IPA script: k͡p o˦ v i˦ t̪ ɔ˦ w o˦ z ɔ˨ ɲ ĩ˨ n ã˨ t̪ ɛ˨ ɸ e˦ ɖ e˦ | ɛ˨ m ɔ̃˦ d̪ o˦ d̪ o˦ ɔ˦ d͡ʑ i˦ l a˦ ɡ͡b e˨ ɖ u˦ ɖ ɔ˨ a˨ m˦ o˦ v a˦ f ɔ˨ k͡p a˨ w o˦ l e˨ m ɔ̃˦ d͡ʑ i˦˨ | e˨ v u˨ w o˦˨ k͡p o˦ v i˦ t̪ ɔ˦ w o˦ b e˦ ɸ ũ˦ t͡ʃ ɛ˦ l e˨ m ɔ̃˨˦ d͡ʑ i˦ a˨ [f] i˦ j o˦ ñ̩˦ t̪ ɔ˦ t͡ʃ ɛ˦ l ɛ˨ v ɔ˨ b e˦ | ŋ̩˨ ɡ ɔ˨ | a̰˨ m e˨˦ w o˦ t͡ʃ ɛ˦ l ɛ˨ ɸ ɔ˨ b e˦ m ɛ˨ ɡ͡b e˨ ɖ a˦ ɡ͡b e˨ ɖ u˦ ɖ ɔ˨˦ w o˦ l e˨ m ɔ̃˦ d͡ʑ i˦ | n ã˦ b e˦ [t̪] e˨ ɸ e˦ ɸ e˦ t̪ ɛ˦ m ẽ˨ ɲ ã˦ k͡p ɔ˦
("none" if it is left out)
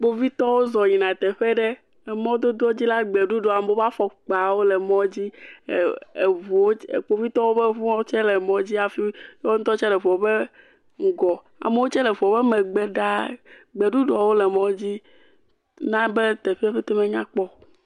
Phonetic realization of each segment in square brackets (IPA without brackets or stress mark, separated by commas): f, t̪